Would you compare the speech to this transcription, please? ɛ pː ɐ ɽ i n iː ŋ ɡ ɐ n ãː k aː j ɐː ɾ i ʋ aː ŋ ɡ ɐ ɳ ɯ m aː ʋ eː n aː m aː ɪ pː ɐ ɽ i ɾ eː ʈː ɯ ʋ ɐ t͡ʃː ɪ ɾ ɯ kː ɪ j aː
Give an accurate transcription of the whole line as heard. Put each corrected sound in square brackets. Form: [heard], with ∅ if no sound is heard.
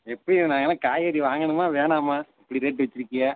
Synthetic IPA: ɛ pː ɐ ɽ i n [aː] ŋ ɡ ɐ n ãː k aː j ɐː ɾ i ʋ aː ŋ ɡ ɐ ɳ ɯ m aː ʋ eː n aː m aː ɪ pː ɐ ɽ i ɾ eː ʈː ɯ ʋ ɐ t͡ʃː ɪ ɾ ɯ kː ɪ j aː